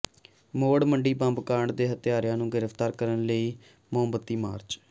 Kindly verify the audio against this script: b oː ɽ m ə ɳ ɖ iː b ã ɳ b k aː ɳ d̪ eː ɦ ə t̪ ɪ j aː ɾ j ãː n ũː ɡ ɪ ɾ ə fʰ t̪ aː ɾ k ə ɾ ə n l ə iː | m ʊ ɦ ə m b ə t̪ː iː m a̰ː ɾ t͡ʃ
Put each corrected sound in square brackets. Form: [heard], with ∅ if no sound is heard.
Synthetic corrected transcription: [m] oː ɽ m ə ɳ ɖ iː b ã [m] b k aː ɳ d̪ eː ɦ ə t̪ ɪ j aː ɾ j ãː n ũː ɡ ɪ ɾ ə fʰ t̪ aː ɾ k ə ɾ ə n l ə iː | m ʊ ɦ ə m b ə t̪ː iː m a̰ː ɾ t͡ʃ